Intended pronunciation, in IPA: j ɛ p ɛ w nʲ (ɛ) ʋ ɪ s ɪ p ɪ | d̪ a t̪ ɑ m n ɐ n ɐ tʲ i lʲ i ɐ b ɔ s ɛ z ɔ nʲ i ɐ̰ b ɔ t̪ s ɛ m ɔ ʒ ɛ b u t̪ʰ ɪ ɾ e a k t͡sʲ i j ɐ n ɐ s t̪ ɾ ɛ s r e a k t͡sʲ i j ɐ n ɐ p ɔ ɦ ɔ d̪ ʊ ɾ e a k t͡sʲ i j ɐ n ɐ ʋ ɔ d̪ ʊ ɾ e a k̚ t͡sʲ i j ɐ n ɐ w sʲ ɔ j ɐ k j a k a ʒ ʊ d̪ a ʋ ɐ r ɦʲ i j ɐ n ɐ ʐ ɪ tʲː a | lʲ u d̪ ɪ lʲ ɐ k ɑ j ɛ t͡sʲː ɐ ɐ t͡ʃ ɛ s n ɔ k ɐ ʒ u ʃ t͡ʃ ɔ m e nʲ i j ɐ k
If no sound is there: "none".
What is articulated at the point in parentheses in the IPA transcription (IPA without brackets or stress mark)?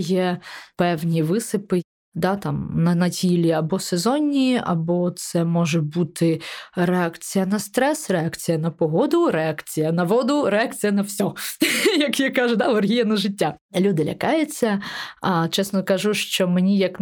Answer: i